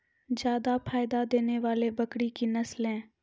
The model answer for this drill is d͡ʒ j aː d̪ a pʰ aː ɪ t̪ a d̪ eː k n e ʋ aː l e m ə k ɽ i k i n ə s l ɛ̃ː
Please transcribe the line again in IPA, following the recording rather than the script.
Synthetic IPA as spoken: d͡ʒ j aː d̪ a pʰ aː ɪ d̪ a d̪ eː n e ʋ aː l e b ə k ɽ i k i n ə s l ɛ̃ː